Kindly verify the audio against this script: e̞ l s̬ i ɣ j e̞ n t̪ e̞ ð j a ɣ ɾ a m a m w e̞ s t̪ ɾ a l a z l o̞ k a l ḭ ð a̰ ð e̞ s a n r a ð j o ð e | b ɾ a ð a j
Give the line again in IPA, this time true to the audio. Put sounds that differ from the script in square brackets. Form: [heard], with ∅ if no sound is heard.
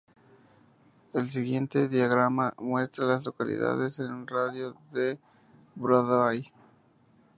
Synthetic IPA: e̞ l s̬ i ɣ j e̞ n t̪ e̞ ð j a ɣ ɾ a m a m w e̞ s t̪ ɾ a l a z l o̞ k a l ḭ ð a̰ ð e̞ s [e] n r a ð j o ð e | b ɾ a ð a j